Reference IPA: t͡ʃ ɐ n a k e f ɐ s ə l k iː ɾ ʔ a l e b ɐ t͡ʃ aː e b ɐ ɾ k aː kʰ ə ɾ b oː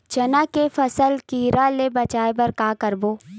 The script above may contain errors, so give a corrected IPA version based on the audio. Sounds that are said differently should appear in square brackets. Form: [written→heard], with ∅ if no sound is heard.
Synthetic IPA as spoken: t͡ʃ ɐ n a k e f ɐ s ə l k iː ɾ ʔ a l e b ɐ t͡ʃ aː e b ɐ ɾ k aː [kʰ→k] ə ɾ b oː